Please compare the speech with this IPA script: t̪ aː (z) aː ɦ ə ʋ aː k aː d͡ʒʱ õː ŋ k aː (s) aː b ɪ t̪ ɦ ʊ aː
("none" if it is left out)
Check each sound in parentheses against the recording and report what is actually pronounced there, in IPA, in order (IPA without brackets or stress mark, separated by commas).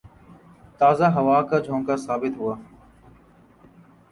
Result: z, s